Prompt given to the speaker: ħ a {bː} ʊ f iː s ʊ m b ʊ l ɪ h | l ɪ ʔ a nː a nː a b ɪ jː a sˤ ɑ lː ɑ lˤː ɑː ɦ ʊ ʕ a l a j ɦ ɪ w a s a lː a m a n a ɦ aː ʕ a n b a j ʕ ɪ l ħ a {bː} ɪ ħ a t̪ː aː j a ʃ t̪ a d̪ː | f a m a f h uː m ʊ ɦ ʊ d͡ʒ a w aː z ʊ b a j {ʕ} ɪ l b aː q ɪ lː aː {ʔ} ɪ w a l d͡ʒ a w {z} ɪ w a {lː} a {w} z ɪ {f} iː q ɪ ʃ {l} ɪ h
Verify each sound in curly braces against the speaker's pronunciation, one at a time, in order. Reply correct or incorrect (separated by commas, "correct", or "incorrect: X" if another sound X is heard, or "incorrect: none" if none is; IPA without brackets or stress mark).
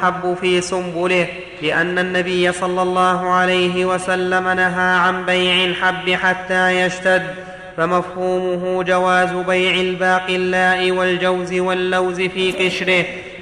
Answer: correct, correct, correct, correct, correct, correct, correct, correct, incorrect: ɾ